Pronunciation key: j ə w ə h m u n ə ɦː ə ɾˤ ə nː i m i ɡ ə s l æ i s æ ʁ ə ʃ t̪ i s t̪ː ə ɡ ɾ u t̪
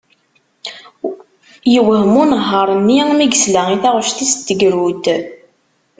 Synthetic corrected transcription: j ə w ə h m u n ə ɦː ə ɾˤ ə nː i m i ɡ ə s l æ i θ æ ʁ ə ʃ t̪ i s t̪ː ə ɡ ɾ u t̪